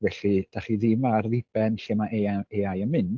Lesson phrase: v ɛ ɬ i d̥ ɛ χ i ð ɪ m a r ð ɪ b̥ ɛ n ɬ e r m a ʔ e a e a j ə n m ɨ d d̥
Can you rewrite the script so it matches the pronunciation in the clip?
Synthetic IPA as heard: v ɛ ɬ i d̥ a χ i ð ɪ m a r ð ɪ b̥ ɛ n ɬ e m a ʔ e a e a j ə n m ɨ n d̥